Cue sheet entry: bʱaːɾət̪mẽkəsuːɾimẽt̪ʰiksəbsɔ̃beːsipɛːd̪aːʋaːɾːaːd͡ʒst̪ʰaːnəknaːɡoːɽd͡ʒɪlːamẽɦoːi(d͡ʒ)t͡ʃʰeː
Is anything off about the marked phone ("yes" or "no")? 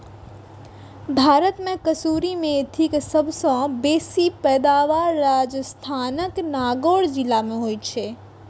yes